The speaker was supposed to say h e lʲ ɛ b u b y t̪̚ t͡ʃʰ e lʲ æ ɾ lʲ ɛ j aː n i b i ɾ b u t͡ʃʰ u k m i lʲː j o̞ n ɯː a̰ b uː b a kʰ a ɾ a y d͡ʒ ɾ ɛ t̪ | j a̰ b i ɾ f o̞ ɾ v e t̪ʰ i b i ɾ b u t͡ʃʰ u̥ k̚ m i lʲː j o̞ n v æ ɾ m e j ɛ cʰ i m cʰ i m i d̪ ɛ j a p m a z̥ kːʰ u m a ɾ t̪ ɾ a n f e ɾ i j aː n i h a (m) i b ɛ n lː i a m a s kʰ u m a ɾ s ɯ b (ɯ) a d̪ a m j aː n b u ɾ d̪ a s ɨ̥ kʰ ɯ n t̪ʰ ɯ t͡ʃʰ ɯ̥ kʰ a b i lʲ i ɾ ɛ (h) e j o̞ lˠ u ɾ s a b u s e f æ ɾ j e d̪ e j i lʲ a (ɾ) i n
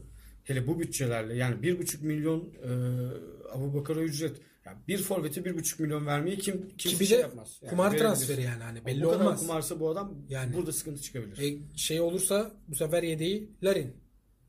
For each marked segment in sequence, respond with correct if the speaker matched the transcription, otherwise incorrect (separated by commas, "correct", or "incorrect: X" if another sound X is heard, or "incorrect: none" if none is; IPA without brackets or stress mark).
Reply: incorrect: n, incorrect: u, incorrect: ʃ, correct